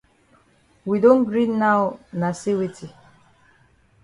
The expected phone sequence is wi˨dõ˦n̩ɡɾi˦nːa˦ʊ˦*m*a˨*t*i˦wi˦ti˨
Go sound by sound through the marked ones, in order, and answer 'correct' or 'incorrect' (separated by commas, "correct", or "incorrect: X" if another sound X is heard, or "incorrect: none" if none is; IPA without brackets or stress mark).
incorrect: n, incorrect: s